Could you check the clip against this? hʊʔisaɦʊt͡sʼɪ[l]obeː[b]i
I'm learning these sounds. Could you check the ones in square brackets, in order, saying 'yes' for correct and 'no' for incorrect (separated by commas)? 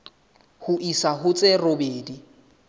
no, no